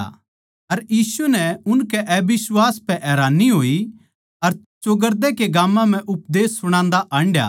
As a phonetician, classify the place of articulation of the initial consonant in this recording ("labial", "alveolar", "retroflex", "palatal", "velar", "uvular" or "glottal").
alveolar